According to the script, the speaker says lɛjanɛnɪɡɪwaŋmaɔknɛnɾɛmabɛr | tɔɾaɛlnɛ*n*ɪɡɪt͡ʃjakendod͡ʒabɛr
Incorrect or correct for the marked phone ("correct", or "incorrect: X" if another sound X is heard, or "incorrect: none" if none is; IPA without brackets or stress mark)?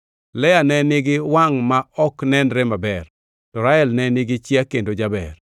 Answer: correct